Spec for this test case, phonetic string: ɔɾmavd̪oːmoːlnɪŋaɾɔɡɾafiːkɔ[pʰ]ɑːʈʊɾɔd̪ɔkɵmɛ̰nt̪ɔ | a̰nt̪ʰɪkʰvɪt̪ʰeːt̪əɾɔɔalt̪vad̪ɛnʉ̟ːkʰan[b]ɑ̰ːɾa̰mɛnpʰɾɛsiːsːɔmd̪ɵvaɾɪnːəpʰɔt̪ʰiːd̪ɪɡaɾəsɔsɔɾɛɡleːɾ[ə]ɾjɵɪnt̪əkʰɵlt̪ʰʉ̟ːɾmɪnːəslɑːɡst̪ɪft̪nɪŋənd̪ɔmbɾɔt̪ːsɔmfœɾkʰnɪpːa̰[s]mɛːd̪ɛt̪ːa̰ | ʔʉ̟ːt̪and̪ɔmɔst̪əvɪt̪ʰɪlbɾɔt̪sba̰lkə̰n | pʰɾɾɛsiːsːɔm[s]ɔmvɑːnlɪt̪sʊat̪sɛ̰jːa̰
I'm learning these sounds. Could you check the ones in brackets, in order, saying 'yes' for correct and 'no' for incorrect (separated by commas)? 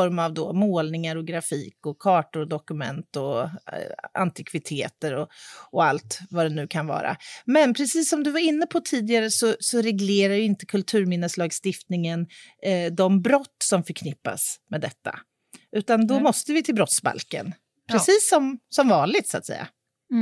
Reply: no, no, no, yes, yes